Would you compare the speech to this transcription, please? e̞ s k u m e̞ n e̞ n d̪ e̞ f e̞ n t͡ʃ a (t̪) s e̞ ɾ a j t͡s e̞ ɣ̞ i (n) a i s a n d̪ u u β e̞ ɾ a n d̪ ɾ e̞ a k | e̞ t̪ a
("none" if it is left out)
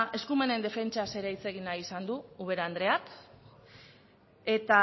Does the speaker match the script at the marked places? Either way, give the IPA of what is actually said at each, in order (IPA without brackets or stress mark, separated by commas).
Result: none, n